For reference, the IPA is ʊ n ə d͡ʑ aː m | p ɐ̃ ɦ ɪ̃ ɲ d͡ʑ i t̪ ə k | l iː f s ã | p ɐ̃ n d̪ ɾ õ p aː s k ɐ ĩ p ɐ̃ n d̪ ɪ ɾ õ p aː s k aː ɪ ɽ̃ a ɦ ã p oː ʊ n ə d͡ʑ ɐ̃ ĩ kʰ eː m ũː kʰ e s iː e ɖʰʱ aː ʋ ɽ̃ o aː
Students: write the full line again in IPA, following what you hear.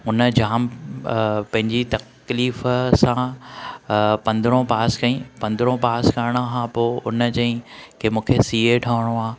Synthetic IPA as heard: ʊ n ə d͡ʑ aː m | p ɐ̃ ɦ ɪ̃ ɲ d͡ʑ i t̪ ɐ k | l iː f s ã | p ɐ̃ n d̪ ɾ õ p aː s k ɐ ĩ p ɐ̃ n d̪ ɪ ɾ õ p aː s k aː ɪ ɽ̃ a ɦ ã p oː ʊ n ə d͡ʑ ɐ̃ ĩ kʰ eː m ũː kʰ e s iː e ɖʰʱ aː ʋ ɽ̃ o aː